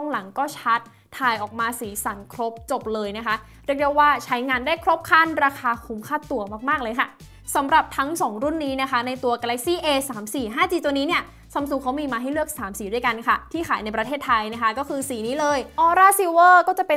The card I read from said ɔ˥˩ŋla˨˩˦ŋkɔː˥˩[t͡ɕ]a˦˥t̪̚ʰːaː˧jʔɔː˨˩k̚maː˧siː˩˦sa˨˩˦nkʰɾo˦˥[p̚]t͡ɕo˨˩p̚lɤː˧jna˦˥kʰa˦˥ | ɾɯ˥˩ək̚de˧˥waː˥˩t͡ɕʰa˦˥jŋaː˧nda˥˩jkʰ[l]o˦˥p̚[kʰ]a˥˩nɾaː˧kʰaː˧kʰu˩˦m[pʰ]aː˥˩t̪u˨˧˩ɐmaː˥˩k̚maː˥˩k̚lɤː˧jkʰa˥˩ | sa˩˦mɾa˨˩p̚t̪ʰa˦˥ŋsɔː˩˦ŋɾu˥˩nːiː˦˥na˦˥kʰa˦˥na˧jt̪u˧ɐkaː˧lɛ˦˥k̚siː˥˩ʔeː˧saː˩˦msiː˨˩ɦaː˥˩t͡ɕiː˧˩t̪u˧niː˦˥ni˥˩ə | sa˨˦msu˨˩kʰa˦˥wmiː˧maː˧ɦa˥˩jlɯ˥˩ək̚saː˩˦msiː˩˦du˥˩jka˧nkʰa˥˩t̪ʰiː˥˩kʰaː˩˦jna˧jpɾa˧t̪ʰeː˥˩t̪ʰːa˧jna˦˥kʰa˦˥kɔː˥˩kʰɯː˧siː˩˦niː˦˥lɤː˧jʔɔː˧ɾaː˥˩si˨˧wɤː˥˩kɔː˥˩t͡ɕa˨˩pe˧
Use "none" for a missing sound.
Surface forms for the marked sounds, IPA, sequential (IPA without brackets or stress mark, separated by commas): t͡ɕʰ, p̚, ɾ, kʰ, kʰ